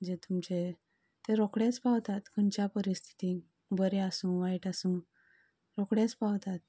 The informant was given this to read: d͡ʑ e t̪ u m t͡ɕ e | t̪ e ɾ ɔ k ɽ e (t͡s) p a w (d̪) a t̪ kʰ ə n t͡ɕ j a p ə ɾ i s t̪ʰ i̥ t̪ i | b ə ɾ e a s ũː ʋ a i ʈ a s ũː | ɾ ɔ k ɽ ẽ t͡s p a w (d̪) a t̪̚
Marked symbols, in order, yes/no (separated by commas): yes, no, no